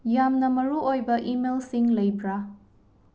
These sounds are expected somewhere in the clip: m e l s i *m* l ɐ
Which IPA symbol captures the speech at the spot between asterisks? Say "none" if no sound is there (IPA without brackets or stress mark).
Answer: ŋ